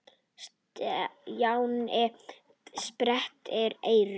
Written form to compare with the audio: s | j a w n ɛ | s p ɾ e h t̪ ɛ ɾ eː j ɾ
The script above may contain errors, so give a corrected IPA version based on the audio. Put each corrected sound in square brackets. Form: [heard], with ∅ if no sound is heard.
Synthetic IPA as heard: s | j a w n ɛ | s p ɾ [ɛ] h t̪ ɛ ɾ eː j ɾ